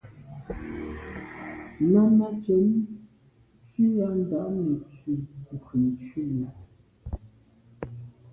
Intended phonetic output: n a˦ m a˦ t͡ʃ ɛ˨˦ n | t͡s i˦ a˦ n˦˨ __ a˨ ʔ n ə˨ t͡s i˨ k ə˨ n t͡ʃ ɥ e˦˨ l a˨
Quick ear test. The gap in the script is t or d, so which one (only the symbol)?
d